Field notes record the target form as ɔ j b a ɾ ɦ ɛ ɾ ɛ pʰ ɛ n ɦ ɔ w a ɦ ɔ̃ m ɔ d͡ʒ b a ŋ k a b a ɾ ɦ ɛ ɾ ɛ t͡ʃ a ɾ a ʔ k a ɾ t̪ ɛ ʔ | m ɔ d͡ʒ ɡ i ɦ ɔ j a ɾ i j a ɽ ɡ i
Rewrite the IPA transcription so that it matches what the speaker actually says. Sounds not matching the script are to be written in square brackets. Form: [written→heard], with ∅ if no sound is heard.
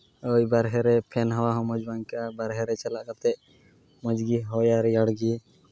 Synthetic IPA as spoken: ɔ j b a ɾ ɦ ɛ ɾ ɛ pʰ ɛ n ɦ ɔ w a ɦ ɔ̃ m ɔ d͡ʒ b a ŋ k a b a ɾ ɦ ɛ ɾ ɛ t͡ʃ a [ɾ→l] a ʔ k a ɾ t̪ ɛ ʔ | m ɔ d͡ʒ ɡ i ɦ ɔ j a ɾ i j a ɽ ɡ i